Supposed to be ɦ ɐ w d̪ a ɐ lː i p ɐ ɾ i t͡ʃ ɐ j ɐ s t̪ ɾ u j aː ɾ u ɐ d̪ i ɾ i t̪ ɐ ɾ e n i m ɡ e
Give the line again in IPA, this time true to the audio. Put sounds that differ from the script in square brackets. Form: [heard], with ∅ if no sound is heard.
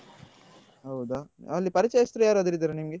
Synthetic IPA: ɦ ɐ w d̪ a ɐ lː i p ɐ ɾ i t͡ʃ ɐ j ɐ s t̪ ɾ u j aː ɾ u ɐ d̪ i ɾ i [d̪] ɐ ɾ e n i m ɡ e

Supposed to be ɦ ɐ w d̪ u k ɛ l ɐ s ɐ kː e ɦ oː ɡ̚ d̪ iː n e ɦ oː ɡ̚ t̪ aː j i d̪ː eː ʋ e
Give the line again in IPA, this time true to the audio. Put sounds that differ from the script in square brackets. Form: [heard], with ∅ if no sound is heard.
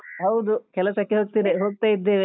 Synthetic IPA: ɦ ɐ w d̪ u k ɛ l ɐ s ɐ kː e ɦ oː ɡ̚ [t̪] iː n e ɦ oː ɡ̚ t̪ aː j i d̪ː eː ʋ e

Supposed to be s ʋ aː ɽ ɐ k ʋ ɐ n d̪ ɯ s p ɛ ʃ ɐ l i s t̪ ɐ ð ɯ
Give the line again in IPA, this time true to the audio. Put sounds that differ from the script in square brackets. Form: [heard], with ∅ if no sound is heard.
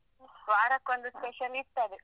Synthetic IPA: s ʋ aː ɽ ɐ k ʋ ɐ n d̪ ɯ s p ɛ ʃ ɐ l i s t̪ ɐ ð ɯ

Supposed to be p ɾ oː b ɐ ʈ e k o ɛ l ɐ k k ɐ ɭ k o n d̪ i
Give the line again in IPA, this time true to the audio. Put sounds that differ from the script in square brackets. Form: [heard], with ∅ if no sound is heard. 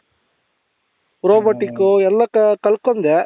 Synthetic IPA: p ɾ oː b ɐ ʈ [i] k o ɛ [lː] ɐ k k ɐ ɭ k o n d̪ [e]

